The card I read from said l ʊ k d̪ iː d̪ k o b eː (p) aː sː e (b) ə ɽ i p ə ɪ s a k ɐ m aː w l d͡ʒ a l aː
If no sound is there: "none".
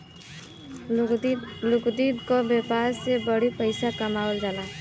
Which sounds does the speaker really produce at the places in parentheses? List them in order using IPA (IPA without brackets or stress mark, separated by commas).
p, b